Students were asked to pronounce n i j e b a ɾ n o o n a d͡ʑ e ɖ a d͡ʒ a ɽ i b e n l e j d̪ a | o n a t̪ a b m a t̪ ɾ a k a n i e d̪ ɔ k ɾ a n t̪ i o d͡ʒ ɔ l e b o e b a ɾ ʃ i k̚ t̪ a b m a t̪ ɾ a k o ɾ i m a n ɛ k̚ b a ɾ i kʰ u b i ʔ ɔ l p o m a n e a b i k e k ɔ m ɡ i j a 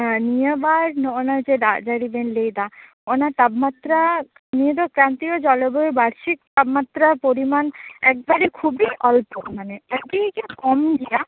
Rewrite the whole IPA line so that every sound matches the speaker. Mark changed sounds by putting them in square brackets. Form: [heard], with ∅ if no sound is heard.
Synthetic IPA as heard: n i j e b a ɾ n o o n a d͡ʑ e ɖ a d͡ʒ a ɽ i b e n l e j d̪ a | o n a t̪ a b m a t̪ ɾ a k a n i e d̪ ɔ k ɾ a n t̪ i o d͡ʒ ɔ l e b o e b a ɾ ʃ i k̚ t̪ a b m a t̪ ɾ a [p] o ɾ i m a n ɛ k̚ b a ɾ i kʰ u b i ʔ ɔ l p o m a n e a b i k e k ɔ m ɡ i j a